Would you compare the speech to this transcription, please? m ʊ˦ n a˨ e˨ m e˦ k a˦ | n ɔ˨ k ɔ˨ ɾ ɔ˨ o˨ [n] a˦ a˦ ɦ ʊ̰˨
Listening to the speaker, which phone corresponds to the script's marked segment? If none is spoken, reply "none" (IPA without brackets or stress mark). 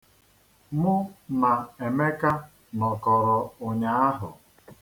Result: ɲ